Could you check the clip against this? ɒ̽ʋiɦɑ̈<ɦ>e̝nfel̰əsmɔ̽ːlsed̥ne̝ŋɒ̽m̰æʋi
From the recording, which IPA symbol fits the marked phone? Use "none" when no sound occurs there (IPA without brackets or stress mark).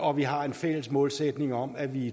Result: none